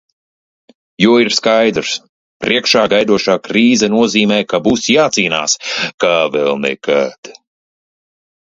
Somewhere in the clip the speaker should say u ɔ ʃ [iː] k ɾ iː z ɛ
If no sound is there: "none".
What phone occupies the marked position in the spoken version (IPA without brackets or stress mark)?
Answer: aː